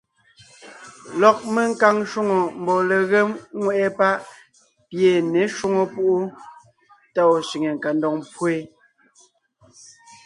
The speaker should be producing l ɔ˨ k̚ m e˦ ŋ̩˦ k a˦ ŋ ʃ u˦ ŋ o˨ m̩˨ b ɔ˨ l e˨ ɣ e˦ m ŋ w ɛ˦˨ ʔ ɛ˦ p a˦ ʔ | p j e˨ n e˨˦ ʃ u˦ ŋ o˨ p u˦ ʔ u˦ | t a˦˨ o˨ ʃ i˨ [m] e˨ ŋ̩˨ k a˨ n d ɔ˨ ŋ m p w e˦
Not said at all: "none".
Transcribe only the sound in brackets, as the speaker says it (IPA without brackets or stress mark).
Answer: ŋ